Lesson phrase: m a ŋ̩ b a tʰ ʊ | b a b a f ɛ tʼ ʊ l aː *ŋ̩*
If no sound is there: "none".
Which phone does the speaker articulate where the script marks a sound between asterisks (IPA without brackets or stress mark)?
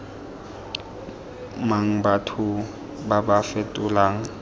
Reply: ŋ̩